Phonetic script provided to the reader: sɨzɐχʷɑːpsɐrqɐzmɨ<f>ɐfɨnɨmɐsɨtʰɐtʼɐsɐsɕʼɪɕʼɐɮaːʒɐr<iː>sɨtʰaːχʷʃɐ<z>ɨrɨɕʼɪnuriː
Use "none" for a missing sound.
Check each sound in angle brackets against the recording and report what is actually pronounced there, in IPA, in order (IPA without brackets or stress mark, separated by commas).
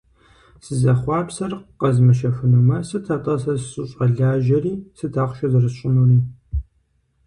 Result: ʃ, iː, z